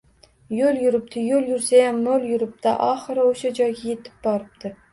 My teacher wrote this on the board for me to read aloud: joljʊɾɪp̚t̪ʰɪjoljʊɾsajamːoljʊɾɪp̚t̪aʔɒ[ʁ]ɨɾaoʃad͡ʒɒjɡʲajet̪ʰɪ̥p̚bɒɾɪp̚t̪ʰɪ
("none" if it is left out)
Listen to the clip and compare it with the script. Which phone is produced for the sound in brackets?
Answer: χ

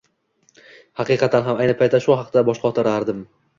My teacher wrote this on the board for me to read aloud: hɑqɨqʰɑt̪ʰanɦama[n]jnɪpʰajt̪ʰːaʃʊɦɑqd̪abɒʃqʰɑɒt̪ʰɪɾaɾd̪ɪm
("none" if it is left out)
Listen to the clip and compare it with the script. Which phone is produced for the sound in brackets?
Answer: none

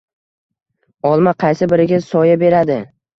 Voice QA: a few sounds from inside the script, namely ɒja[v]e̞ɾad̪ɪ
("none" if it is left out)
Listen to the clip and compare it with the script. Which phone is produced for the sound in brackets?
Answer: b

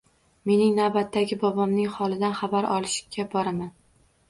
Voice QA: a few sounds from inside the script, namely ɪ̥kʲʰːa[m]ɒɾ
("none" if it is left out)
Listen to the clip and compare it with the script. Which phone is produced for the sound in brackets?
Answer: b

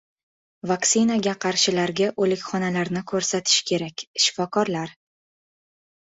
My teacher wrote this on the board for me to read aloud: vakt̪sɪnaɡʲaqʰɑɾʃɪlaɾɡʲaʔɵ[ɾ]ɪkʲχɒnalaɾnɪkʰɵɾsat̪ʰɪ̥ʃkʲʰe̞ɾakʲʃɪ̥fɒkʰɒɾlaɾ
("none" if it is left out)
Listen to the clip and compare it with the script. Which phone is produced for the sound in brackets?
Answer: l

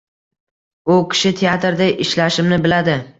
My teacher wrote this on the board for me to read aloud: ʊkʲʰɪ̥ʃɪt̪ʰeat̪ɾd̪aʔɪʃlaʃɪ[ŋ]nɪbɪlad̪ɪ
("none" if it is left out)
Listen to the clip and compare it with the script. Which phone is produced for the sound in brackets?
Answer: m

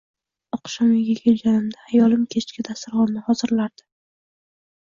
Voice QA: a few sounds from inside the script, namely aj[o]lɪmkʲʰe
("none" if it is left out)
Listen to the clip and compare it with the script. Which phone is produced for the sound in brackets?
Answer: ɒ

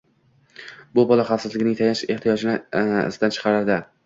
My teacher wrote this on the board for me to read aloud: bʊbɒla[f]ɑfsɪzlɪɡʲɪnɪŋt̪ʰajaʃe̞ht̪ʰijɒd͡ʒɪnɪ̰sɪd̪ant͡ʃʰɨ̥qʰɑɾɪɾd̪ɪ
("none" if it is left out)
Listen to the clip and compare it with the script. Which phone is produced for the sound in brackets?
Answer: χ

